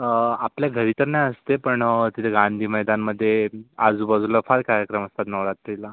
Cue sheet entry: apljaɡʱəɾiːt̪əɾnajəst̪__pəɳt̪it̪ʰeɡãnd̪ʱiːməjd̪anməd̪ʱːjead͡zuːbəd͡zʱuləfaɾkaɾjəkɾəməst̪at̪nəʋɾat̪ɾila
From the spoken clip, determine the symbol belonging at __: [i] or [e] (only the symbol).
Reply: e